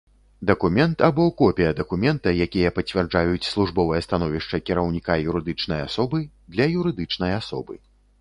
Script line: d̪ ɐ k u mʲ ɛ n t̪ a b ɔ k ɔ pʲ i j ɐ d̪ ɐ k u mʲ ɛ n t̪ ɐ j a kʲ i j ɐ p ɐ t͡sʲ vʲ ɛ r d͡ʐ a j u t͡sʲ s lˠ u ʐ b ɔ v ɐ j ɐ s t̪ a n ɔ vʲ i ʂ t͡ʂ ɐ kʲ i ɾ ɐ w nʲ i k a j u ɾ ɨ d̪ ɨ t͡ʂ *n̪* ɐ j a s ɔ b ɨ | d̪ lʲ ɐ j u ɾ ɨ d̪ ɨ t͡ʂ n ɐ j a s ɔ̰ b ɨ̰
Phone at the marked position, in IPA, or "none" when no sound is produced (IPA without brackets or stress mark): n̪